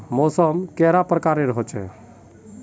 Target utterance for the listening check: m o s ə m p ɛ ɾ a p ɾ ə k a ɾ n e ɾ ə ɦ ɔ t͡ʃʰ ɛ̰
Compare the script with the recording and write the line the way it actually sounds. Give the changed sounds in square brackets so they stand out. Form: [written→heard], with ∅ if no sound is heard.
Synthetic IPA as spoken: m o s ə m [p→k] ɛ ɾ a p ɾ ə k a ɾ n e ɾ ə ɦ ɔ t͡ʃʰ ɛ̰